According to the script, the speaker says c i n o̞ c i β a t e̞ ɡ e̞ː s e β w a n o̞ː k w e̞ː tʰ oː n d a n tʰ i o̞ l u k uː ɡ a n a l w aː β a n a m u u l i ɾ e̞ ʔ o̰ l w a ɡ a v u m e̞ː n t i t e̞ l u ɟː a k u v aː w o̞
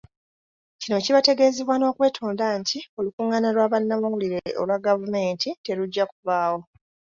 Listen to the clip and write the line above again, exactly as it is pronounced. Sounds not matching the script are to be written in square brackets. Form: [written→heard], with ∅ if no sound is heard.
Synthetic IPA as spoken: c i n o̞ c i β a t e̞ ɡ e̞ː [s→z] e β w a n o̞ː k w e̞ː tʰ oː n d a n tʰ i o̞ l u k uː [ɡ→ŋ] a n a l w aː β a [n→nː] a m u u l i ɾ e̞ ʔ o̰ l w a ɡ a v u m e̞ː n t i t e̞ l u ɟː a k u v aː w o̞